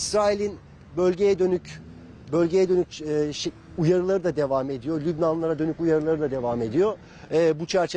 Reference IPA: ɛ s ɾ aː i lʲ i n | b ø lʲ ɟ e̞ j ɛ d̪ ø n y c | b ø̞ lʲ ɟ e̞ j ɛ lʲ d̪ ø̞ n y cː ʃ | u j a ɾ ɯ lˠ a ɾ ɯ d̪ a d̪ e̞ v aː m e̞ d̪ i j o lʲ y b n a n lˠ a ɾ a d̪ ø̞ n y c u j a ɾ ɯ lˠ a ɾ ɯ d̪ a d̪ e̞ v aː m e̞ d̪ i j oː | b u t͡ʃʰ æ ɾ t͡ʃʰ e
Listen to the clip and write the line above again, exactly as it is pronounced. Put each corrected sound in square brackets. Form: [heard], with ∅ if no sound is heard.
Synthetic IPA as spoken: [i] s ɾ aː i lʲ i n | b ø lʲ ɟ e̞ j ɛ d̪ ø n y c | b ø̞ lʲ ɟ e̞ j ɛ [∅] d̪ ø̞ n y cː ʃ | u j a ɾ ɯ lˠ a ɾ ɯ d̪ a d̪ e̞ v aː m e̞ d̪ i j o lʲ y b n a n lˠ a ɾ a d̪ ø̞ n y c u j a ɾ ɯ lˠ a ɾ ɯ d̪ a d̪ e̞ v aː m e̞ d̪ i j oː | b u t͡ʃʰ æ ɾ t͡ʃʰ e